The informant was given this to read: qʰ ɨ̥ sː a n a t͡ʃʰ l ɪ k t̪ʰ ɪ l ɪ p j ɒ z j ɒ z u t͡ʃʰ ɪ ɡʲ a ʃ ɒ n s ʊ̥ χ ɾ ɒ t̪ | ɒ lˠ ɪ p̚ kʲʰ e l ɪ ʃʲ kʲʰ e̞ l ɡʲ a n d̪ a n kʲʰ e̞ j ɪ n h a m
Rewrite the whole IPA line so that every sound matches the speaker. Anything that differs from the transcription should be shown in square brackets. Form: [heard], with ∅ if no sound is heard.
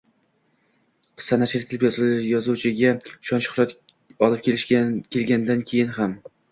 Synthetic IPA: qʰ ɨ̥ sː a n a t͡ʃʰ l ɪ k t̪ʰ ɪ l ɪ p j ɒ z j ɒ z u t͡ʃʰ ɪ ɡʲ a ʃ ɒ n [ʃ] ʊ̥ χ ɾ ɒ t̪ | ɒ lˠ ɪ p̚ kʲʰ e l ɪ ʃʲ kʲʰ e̞ l ɡʲ a n d̪ a n kʲʰ e̞ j ɪ n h a m